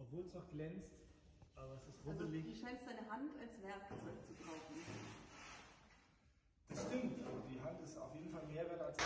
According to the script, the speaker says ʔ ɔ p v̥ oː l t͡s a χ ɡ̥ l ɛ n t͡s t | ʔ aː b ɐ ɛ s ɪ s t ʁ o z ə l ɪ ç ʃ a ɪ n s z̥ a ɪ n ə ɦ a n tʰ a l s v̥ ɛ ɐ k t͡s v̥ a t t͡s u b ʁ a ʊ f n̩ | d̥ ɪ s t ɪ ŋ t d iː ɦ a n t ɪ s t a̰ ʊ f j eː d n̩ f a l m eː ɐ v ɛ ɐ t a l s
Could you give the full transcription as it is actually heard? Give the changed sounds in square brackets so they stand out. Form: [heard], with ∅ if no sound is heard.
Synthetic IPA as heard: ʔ ɔ p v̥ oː l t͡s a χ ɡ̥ l ɛ n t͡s t | ʔ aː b ɐ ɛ s ɪ s t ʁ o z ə l ɪ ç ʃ a ɪ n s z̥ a ɪ n ə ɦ a n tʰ a l s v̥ ɛ ɐ k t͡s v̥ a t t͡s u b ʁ a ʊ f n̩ | d̥ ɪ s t ɪ ŋ t d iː ɦ a n t ɪ s t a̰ ʊ f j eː d n̩ f a l m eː ɐ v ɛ ɐ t a l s